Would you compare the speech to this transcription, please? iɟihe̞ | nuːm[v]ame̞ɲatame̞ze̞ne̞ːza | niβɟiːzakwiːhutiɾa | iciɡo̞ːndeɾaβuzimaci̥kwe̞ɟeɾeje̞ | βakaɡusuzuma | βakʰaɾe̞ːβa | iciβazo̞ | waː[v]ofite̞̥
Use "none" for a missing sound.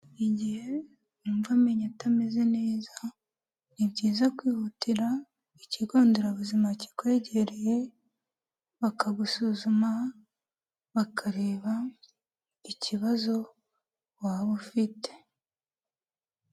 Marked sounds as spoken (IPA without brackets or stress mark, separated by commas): v, β